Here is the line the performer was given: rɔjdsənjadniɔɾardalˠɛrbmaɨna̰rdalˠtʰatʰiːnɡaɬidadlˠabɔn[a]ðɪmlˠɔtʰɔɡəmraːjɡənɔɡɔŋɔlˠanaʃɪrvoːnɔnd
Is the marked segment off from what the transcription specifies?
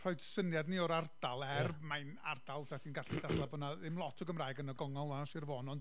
no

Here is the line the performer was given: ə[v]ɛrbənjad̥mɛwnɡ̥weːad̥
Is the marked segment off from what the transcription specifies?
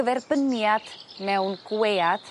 no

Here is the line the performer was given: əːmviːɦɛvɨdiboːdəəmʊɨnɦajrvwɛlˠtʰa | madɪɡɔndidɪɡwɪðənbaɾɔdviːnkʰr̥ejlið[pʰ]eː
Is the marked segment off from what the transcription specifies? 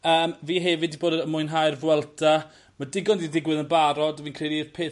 no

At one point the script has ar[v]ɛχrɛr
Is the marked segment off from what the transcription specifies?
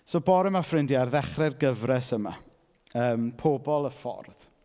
yes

